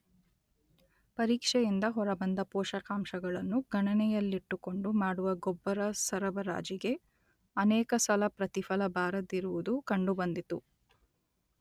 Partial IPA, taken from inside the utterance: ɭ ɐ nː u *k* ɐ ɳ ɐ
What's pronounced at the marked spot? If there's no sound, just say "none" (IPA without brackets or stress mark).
ɡ